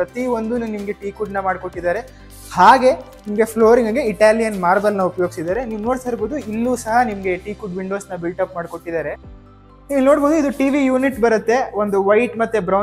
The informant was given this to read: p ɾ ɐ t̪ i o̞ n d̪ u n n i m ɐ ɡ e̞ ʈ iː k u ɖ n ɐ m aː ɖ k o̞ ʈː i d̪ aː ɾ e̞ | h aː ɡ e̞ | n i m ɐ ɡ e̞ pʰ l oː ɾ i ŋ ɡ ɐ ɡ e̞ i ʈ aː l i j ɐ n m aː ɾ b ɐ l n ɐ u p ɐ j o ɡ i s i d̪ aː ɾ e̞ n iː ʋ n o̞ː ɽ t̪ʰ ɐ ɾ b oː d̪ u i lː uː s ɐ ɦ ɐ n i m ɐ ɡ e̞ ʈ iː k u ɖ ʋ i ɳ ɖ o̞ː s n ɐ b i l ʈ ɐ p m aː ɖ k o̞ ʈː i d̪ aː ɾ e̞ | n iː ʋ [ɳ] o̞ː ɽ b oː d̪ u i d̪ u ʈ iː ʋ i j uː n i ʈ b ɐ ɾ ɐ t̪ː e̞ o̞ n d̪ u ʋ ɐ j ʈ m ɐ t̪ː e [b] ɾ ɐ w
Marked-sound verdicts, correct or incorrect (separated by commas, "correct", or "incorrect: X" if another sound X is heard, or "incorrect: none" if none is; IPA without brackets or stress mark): incorrect: n, correct